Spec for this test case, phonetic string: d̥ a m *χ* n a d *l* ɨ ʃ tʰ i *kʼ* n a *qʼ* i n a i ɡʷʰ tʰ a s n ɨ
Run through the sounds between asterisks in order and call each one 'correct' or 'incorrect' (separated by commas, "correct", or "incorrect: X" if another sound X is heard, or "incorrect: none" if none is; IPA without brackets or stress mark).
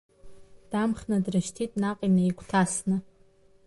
correct, incorrect: r, incorrect: tʼ, correct